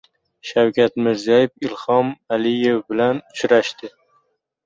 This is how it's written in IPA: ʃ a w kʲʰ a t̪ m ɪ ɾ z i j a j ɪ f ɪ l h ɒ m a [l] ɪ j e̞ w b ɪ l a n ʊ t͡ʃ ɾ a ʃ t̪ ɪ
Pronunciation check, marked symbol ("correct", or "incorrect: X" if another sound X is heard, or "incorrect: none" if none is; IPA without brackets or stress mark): correct